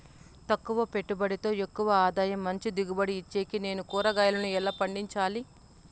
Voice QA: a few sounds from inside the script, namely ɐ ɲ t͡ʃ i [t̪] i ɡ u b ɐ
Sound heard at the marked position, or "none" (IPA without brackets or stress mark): d̪